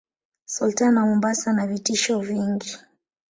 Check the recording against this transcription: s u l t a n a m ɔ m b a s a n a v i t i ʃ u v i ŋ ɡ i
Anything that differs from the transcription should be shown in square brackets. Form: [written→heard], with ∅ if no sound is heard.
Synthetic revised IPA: s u l t a n a m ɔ m b a s a n a v i t i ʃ [u→ɔ] v i ŋ ɡ i